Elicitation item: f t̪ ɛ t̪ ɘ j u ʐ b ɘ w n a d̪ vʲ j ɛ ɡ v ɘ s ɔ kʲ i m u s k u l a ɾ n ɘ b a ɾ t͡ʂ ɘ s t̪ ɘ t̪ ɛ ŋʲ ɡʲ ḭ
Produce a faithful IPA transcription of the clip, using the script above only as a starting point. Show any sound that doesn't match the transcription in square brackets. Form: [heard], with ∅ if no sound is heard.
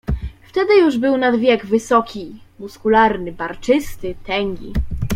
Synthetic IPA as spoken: f t̪ ɛ [d̪] ɘ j u ʐ b ɘ w n a d̪ vʲ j ɛ ɡ v ɘ s ɔ kʲ i m u s k u l a ɾ n ɘ b a ɾ t͡ʂ ɘ s t̪ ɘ t̪ ɛ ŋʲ ɡʲ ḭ